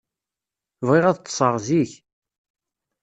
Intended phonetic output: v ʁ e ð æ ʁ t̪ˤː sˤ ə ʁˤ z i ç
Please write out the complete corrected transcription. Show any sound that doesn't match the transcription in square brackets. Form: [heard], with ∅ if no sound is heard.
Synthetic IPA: v ʁ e [ʁ] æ [ð] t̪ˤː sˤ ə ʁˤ z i ç